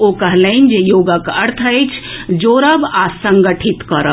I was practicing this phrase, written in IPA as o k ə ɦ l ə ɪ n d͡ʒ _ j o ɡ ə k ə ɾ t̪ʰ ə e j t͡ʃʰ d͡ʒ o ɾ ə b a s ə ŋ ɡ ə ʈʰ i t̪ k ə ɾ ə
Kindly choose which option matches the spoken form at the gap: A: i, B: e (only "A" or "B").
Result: B